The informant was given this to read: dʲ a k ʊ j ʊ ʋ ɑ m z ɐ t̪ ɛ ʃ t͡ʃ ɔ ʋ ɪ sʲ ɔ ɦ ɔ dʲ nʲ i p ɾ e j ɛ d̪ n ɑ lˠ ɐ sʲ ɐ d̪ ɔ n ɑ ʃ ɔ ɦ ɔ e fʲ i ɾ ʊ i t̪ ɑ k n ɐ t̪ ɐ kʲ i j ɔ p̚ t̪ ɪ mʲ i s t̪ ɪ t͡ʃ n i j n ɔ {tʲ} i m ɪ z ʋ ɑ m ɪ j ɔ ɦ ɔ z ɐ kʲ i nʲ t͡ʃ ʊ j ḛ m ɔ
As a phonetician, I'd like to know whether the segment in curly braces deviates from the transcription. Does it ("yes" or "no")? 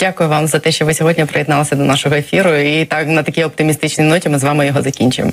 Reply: no